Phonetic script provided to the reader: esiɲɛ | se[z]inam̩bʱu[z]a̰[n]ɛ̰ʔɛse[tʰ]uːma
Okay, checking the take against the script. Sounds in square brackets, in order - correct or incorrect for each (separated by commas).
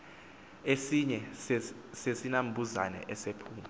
incorrect, correct, correct, incorrect